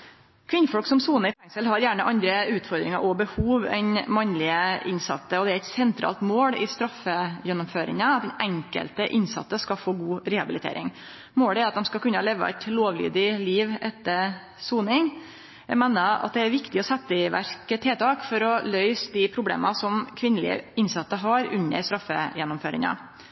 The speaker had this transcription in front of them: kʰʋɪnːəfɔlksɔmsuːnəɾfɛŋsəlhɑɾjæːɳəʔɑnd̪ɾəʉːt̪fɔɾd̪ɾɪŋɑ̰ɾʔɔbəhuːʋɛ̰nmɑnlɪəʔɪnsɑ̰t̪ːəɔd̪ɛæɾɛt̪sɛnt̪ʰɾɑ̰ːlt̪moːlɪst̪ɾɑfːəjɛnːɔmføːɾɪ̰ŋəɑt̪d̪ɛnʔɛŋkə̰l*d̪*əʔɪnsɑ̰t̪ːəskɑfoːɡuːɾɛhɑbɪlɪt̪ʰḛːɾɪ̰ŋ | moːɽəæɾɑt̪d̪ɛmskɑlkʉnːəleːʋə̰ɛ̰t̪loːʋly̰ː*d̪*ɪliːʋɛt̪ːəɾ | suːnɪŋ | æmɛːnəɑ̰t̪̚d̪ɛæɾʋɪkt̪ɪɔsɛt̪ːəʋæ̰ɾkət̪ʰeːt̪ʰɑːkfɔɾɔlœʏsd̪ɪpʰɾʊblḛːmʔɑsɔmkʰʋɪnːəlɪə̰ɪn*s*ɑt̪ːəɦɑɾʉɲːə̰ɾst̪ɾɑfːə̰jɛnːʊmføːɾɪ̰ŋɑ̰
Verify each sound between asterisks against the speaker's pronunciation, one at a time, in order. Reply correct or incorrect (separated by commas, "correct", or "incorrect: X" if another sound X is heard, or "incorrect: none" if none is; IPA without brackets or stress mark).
incorrect: t̪, correct, correct